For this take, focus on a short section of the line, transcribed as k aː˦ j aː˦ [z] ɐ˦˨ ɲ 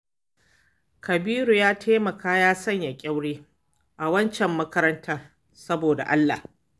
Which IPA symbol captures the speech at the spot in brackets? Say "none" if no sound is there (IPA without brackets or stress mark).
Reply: s